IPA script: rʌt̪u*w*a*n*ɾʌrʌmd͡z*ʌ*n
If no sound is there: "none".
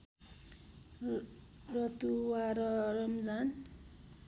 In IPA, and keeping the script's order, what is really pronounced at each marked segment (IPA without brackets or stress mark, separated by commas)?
w, none, a